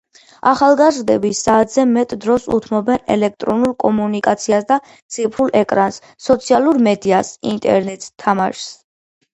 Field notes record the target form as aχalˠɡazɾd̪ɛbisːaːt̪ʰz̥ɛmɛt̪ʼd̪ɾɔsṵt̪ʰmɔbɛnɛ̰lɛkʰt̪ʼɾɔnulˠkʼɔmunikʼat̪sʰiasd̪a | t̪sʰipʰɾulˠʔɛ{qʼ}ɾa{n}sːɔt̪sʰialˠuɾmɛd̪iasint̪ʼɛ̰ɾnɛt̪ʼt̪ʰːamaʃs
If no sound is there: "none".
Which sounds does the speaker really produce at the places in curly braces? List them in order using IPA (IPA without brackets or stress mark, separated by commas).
kʼ, n